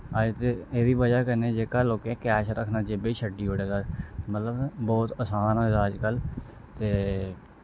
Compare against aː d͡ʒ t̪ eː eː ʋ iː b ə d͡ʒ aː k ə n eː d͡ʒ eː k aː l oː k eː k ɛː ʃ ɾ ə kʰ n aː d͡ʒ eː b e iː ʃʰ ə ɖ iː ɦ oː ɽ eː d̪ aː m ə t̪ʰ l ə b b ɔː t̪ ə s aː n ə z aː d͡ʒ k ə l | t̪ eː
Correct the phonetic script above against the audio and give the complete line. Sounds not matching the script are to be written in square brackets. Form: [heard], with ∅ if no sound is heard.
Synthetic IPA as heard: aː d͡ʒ t̪ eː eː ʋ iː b ə d͡ʒ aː k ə n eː d͡ʒ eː k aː l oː k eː k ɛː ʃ ɾ ə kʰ n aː d͡ʒ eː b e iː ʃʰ ə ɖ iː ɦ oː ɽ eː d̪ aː m ə [t̪] l ə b b ɔː t̪ ə s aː n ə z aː d͡ʒ k ə l | t̪ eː

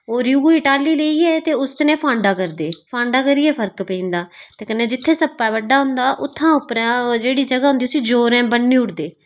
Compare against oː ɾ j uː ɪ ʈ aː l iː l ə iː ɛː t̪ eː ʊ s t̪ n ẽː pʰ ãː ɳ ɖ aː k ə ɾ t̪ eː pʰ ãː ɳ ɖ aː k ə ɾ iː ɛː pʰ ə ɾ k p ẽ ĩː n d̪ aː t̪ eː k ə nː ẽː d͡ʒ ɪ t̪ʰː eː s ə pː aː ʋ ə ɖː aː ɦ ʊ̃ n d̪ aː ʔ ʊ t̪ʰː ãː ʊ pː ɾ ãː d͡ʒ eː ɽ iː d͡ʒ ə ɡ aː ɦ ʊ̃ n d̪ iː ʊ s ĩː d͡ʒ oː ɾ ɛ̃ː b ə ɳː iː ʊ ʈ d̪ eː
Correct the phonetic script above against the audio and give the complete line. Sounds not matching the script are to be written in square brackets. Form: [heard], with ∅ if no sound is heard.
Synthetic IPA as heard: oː ɾ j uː ɪ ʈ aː l iː l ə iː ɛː t̪ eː ʊ s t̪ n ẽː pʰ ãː ɳ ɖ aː k ə ɾ [d̪] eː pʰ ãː ɳ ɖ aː k ə ɾ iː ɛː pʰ ə ɾ k p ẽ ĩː n d̪ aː t̪ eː k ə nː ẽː d͡ʒ ɪ t̪ʰː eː s ə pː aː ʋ ə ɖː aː ɦ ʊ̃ n d̪ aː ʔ ʊ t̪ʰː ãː ʊ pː ɾ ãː d͡ʒ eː ɽ iː d͡ʒ ə ɡ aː ɦ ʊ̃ n d̪ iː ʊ s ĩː d͡ʒ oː ɾ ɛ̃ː b ə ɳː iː ʊ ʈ d̪ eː

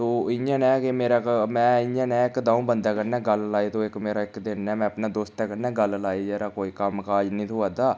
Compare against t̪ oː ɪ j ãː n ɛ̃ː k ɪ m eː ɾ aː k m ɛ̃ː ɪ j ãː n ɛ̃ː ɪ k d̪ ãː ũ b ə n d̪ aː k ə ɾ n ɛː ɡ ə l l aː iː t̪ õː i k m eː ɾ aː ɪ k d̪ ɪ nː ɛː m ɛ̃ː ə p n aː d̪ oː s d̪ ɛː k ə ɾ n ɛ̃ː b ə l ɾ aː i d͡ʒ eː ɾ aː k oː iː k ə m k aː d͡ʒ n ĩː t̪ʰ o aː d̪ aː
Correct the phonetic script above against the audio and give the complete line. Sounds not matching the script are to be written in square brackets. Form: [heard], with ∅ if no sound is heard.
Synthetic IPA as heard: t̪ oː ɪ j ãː n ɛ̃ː k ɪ m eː ɾ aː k m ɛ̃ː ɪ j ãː n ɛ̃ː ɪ k d̪ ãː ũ b ə n d̪ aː k ə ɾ n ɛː ɡ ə l l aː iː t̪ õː [ɪ] k m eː ɾ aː ɪ k d̪ ɪ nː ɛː m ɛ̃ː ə p n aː d̪ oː s [t̪] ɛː k ə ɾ n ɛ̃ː [ɡ] ə l [l] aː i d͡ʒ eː ɾ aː k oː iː k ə m k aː d͡ʒ n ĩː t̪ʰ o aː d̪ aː

